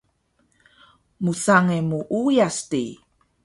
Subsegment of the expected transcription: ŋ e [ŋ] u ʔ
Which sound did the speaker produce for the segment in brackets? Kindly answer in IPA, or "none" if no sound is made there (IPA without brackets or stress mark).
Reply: m